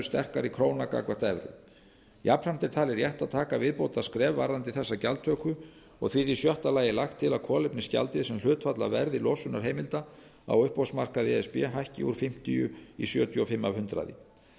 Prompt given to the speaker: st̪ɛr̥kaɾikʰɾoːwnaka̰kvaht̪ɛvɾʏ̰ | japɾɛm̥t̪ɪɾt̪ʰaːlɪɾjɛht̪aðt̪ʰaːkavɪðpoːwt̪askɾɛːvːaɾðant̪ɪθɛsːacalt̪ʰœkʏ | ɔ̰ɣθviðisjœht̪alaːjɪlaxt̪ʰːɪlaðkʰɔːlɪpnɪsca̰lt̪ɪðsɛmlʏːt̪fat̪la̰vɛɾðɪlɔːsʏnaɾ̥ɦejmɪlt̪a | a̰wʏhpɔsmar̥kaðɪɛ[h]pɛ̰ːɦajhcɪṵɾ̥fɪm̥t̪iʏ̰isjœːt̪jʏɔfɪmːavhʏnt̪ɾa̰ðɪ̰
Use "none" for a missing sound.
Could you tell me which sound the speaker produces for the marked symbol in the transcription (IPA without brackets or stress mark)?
s